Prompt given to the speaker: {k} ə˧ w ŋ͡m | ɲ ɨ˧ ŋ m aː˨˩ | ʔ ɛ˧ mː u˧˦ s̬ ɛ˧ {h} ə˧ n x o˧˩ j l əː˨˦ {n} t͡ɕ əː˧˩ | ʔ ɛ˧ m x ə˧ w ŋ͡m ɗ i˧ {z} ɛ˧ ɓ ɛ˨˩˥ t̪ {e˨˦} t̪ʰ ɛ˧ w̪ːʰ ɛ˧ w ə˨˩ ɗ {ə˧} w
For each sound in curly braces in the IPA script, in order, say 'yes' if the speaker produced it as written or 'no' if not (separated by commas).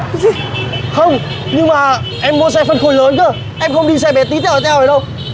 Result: no, no, yes, no, no, yes